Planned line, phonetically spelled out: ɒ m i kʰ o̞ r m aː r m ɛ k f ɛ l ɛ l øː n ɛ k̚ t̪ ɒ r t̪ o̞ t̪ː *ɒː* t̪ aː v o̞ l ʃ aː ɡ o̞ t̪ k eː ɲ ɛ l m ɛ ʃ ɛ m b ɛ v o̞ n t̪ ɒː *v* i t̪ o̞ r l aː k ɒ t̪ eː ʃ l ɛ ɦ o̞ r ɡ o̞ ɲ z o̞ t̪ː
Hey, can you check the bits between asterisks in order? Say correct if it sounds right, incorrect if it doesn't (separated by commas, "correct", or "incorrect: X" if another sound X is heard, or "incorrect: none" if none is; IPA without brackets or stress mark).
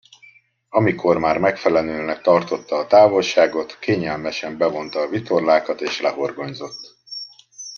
correct, correct